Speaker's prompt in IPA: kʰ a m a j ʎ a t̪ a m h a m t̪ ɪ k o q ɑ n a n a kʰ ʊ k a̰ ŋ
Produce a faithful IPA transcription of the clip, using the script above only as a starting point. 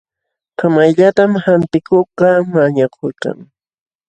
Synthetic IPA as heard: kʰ a m a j ʎ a t̪ a m h a n t̪ ɪ k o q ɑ m a ɲ a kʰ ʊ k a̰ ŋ